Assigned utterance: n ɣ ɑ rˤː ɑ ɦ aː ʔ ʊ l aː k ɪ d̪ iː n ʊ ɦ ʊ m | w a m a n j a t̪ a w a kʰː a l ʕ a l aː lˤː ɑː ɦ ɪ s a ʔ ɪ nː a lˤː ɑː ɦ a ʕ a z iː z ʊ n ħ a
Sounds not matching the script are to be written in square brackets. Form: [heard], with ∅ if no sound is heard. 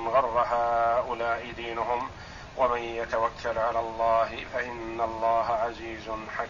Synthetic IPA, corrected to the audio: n ɣ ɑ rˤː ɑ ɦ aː ʔ ʊ l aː [ʔ] ɪ d̪ iː n ʊ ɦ ʊ m | w a m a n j a t̪ a w a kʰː a l ʕ a l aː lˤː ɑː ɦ ɪ [f] a ʔ ɪ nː a lˤː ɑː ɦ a ʕ a z iː z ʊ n ħ a